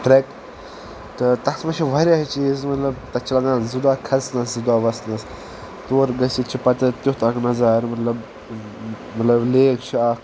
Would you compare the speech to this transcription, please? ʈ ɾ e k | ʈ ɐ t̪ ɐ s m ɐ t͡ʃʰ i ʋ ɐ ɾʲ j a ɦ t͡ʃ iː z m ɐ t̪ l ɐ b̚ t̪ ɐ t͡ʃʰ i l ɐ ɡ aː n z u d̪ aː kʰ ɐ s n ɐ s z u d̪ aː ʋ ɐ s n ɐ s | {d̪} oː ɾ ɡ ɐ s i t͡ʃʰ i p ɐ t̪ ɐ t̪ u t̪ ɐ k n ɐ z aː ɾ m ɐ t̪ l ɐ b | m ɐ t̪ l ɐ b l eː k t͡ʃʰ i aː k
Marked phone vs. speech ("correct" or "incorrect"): incorrect